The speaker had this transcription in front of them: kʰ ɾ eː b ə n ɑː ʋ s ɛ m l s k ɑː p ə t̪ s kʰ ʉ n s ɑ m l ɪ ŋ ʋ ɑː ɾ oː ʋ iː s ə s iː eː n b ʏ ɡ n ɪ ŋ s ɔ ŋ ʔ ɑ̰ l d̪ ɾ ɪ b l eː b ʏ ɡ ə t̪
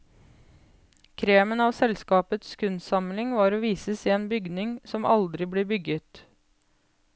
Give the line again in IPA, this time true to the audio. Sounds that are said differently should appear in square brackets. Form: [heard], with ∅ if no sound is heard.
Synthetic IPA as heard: kʰ ɾ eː [m] ə n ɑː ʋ s ɛ [∅] l s k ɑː p ə t̪ s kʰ ʉ n s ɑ m l ɪ ŋ ʋ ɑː ɾ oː ʋ iː s ə s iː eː n b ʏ ɡ n ɪ ŋ s ɔ [m] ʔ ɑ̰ l d̪ ɾ ɪ b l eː b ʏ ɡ ə t̪